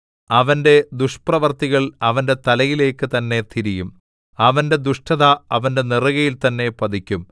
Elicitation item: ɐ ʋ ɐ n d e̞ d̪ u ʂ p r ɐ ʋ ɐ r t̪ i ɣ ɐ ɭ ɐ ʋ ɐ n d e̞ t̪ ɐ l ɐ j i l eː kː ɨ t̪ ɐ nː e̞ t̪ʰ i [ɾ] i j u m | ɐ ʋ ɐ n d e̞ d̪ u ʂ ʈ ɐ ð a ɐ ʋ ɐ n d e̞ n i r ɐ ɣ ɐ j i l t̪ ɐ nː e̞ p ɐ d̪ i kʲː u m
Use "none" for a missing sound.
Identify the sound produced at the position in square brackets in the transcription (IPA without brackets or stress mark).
ɾ